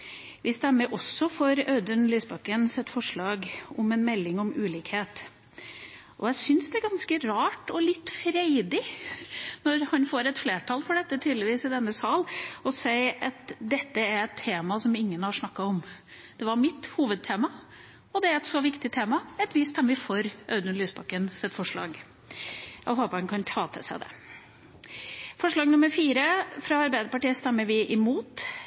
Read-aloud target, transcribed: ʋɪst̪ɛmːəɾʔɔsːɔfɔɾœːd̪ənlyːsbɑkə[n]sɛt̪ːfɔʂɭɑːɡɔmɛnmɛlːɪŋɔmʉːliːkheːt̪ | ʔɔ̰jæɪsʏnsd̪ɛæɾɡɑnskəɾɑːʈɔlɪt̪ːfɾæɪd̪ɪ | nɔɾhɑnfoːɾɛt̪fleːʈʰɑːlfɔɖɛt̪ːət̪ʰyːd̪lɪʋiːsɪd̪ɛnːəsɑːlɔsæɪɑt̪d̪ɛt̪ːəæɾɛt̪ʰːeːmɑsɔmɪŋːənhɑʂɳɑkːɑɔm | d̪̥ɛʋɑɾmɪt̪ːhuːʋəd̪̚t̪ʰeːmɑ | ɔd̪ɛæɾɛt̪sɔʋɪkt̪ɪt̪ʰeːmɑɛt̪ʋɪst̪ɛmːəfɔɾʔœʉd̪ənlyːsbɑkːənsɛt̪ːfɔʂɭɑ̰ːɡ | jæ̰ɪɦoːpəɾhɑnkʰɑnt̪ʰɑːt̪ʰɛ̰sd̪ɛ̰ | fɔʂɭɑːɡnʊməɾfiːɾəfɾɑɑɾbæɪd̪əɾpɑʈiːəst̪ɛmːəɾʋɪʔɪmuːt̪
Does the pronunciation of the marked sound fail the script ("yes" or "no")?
no